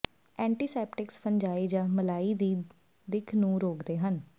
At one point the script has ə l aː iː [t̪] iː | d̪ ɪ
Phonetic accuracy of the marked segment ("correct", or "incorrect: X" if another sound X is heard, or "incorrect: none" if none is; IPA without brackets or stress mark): incorrect: d̪